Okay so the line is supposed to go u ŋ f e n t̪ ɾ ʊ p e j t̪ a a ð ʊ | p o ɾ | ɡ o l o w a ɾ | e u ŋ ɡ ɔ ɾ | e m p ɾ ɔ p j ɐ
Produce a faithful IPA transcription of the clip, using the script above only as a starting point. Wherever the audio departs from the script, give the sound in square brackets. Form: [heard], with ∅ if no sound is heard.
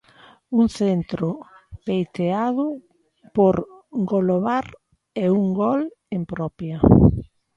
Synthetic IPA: u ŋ [θ] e n t̪ ɾ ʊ p e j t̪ [e] a ð ʊ | p o ɾ | ɡ o l o [β] a ɾ | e u ŋ ɡ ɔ [l] | e m p ɾ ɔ p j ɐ